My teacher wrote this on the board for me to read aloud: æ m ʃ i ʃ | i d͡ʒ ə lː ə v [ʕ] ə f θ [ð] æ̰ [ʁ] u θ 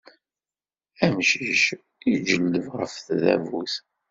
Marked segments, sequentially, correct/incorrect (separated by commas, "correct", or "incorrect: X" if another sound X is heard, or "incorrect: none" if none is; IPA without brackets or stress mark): incorrect: ʁ, correct, incorrect: v